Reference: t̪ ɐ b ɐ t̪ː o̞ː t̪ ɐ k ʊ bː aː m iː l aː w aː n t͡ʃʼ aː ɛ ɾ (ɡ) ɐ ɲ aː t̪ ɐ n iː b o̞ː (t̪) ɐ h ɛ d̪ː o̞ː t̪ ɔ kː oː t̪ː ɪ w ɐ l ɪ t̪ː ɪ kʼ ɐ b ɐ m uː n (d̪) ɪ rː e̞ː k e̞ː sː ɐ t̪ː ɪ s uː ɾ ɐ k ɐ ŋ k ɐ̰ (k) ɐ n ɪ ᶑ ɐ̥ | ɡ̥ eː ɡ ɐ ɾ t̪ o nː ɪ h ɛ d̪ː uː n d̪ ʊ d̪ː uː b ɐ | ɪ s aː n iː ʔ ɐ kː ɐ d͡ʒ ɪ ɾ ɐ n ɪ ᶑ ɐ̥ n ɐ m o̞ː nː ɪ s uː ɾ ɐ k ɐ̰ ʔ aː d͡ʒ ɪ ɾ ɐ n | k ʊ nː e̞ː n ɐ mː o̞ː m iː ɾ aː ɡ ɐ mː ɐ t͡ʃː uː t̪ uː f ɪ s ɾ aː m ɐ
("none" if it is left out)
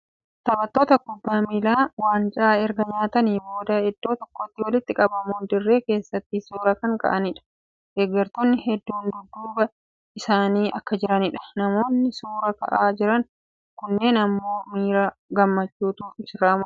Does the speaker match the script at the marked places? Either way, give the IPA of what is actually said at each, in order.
ɡ, d̪, d̪, ʔ

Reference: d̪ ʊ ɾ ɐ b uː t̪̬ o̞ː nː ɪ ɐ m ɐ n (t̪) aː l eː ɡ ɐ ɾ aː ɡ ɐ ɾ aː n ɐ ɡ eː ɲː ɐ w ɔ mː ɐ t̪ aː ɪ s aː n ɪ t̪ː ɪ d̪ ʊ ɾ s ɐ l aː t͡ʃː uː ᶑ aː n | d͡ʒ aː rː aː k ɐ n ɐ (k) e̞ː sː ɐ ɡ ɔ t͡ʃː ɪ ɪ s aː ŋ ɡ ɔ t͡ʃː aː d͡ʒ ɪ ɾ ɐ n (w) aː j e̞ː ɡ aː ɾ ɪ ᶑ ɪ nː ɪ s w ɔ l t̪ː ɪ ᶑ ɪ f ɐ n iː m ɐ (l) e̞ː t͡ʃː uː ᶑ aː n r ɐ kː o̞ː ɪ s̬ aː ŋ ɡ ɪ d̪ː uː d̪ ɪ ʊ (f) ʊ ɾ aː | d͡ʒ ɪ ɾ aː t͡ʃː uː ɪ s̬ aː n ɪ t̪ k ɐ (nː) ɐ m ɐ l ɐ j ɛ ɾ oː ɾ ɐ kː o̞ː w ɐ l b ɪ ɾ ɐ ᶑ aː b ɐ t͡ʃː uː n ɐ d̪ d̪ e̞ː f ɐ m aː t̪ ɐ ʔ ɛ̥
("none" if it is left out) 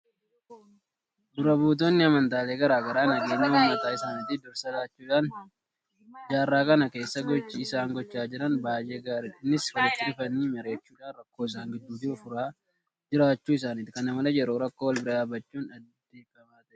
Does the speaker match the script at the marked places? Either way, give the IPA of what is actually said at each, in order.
t̪, k, b, ɾ, f, n

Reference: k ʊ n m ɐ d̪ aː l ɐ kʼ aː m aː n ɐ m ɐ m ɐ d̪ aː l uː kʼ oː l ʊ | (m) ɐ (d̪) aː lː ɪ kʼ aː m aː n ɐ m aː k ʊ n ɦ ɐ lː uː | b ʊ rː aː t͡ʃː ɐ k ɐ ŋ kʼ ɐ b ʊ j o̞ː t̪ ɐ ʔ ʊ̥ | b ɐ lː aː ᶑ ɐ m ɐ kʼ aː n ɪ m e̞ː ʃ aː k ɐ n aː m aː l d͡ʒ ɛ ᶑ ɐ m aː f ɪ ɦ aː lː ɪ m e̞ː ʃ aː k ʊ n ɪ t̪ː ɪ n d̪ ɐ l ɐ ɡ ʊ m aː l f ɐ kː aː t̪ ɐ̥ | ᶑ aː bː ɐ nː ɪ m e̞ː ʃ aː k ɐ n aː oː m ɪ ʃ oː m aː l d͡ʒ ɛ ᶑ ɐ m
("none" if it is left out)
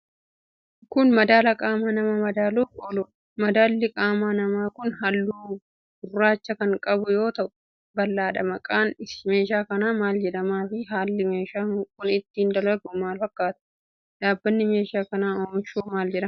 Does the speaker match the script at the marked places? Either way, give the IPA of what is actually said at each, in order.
m, d̪

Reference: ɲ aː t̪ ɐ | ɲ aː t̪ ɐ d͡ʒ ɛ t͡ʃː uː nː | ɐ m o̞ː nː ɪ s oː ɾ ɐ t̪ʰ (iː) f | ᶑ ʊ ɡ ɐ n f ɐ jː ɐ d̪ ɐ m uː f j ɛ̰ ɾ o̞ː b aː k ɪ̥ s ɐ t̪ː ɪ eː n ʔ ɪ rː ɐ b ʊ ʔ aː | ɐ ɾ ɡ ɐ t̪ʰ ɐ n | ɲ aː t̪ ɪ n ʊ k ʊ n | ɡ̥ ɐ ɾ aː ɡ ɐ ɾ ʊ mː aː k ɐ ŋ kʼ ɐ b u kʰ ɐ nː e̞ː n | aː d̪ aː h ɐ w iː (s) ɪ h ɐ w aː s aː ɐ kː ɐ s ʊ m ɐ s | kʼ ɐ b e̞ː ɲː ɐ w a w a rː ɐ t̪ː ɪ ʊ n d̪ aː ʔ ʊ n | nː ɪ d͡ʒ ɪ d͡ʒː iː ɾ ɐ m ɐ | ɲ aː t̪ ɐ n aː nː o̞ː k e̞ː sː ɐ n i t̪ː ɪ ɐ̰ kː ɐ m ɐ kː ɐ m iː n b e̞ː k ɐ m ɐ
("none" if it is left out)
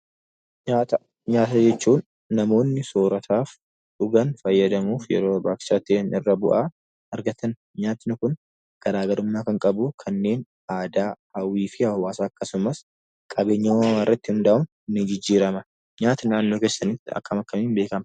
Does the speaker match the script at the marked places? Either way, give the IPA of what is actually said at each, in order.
aː, f

